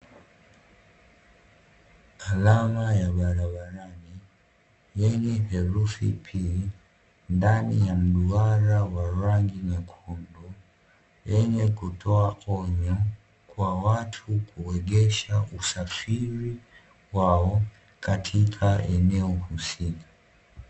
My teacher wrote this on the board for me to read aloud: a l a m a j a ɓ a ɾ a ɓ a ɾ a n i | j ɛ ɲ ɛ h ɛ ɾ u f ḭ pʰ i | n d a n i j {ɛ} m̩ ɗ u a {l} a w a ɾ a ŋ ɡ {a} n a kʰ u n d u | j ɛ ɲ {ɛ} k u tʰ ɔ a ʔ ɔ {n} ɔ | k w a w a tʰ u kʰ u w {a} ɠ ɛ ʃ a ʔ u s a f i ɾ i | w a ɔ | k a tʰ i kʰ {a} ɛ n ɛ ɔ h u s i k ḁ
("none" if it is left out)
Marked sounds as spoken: a, ɾ, i, ɛ, ɲ, ɛ, a

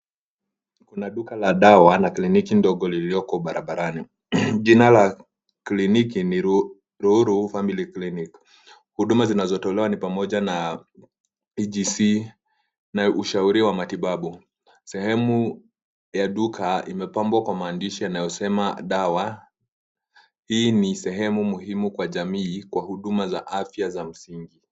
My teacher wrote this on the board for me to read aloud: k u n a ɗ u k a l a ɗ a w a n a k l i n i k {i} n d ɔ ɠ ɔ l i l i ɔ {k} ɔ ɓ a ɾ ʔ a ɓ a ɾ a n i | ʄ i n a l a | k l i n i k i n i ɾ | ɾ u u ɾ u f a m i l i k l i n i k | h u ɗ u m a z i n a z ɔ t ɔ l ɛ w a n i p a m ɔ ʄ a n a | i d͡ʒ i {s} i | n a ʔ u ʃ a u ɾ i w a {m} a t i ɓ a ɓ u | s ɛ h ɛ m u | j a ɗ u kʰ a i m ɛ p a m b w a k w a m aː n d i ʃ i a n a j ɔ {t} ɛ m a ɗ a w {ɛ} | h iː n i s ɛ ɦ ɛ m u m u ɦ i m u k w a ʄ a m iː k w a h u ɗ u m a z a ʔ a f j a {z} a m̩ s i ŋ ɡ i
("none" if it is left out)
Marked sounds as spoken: i, k, s, m, s, a, z

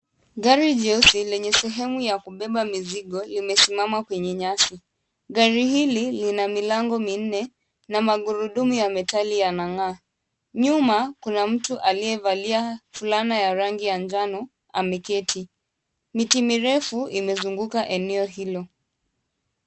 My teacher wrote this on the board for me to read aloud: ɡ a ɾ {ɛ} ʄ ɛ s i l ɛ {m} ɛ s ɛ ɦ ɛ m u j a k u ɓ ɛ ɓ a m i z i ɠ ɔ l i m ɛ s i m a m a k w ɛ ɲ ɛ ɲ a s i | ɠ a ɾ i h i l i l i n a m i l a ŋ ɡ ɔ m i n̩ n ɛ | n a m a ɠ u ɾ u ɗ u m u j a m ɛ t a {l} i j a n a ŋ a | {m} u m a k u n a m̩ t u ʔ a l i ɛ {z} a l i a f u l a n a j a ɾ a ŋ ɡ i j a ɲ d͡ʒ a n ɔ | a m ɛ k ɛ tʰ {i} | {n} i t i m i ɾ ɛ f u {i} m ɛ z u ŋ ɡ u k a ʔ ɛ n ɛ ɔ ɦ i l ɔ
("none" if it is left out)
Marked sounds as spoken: i, ɲ, l, ɲ, v, i, m, i

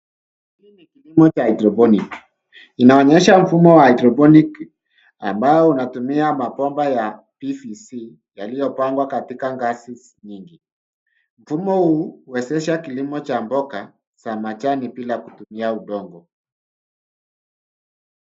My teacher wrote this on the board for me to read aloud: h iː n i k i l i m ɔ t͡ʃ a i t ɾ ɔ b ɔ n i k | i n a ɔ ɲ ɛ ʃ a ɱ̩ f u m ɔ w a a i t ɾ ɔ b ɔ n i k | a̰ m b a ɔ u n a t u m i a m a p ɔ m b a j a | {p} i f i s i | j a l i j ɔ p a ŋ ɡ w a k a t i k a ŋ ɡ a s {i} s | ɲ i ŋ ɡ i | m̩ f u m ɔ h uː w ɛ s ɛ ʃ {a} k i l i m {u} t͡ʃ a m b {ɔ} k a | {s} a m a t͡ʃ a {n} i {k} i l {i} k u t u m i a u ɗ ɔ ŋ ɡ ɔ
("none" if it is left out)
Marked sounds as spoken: p, i, a, ɔ, ɔ, s, n, p, a

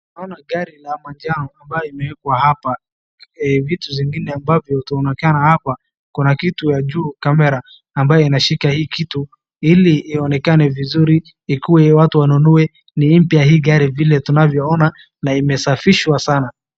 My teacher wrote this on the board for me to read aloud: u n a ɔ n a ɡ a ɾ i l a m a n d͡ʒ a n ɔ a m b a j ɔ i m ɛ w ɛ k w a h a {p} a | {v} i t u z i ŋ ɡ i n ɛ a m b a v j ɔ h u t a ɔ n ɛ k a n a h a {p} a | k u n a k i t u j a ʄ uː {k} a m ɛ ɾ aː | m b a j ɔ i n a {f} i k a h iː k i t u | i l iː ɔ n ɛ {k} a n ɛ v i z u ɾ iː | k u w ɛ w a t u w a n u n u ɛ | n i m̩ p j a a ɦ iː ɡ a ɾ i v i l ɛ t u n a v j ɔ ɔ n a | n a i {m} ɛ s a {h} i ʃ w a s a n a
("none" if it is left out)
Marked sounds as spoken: p, v, p, k, ʃ, k, m, f

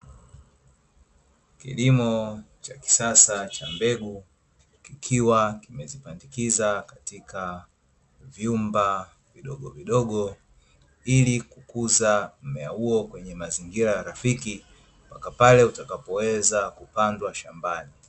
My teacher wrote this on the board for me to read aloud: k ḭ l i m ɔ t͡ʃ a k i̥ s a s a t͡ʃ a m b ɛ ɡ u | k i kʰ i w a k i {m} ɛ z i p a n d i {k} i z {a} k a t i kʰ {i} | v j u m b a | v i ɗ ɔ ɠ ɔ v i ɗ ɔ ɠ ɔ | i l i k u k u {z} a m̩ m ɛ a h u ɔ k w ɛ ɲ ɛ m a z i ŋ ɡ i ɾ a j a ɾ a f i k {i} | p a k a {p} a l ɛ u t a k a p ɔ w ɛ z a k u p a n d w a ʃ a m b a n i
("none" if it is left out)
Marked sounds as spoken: m, k, a, a, z, i, p

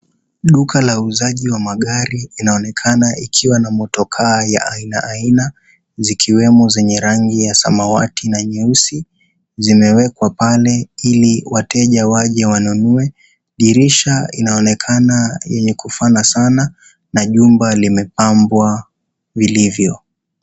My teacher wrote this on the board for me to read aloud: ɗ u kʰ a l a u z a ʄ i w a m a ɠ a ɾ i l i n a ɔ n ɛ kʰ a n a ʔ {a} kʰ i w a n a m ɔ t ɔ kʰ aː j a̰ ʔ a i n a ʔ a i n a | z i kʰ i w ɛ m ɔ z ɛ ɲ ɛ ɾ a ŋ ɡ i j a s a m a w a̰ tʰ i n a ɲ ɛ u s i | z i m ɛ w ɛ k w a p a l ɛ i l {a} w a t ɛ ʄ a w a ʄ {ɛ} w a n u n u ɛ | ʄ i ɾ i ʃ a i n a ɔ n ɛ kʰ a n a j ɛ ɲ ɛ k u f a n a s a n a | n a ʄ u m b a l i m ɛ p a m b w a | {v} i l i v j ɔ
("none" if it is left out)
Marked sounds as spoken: i, i, ɛ, v

